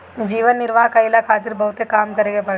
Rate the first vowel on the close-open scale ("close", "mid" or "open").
close